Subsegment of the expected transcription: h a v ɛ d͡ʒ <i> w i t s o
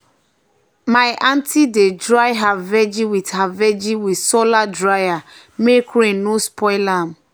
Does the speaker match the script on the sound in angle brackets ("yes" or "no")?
yes